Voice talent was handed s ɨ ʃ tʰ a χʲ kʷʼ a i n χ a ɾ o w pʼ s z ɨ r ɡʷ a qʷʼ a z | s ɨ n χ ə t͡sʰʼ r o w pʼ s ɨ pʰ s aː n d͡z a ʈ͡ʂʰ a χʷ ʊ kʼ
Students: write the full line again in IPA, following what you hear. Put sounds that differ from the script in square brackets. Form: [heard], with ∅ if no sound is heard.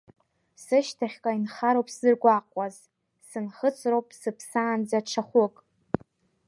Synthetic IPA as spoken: s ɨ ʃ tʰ a χʲ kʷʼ a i n χ a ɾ o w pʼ s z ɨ r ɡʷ a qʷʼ a z | s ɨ n χ ə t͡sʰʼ r o w pʼ s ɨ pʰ s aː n d͡z a ʈ͡ʂʰ a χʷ ʊ kʼ